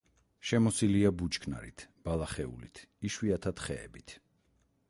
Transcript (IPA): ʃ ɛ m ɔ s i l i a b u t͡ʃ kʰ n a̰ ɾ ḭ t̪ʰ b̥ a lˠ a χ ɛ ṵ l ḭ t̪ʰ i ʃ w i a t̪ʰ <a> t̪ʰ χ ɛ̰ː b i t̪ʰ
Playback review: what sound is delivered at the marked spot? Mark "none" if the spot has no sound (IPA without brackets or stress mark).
a